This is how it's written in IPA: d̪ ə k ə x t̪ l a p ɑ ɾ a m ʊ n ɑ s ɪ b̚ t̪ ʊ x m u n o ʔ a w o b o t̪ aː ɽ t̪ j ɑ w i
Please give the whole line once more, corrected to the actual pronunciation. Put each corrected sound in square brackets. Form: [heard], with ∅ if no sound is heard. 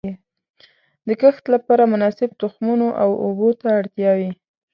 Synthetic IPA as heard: d̪ ə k ə x t̪ l a p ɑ ɾ a m ʊ n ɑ s ɪ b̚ t̪ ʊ x m u n o ʔ a w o b o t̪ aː ɽ t̪ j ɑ w i